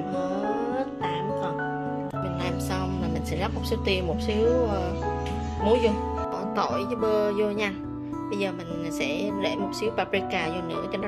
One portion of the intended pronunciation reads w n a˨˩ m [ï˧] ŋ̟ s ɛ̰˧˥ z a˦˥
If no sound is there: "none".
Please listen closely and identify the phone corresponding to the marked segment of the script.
ï˨˩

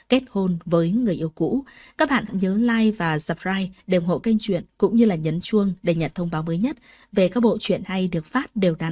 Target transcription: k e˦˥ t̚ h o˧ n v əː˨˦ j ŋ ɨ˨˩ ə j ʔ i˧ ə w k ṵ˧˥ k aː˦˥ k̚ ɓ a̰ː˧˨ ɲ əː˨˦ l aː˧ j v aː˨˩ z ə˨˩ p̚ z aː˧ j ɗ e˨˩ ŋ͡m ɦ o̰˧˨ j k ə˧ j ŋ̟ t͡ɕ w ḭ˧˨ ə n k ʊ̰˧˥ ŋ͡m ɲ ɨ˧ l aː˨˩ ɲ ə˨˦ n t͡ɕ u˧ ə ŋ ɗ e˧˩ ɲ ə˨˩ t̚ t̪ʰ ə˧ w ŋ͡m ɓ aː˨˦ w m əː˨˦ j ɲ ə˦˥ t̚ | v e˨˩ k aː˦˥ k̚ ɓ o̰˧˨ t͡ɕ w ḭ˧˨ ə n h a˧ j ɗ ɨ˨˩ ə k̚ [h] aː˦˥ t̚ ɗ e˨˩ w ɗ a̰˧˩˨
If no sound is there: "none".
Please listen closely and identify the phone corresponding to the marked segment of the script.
f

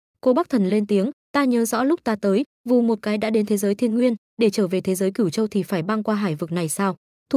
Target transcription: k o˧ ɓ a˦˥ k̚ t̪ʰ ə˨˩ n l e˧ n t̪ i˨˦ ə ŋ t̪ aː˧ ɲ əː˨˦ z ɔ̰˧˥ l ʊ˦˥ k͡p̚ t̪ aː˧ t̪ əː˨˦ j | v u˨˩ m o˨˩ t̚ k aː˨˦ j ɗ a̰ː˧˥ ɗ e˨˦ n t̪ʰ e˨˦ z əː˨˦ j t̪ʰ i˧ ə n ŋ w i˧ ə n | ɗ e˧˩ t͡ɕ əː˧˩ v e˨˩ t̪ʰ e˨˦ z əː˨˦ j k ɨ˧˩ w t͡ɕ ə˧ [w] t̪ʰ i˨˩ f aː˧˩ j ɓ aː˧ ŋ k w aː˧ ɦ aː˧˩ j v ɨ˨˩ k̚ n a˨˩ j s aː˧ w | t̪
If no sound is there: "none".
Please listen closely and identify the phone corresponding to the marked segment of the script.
w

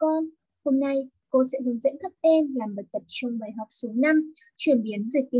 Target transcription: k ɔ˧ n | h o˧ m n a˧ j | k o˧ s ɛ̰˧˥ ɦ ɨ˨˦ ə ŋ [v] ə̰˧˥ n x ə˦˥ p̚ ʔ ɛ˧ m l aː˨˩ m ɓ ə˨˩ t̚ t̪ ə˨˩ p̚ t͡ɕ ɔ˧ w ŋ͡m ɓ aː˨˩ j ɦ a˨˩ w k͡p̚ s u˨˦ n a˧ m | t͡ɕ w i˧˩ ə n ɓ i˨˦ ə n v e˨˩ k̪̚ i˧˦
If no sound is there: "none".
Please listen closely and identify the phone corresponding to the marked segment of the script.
z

